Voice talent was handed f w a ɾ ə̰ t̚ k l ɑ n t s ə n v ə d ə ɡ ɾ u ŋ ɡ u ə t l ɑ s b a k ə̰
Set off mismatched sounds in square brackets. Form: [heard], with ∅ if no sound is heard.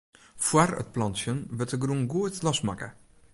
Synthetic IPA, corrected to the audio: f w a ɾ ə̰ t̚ [p] l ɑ n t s ə n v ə [t] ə ɡ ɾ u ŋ ɡ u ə t l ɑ s [m] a k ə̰